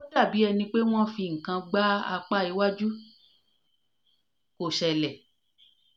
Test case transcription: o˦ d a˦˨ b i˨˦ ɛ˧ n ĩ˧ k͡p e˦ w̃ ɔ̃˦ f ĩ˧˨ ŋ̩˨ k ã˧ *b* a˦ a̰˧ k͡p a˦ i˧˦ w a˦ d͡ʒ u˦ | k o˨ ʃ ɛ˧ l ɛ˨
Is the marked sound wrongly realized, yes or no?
yes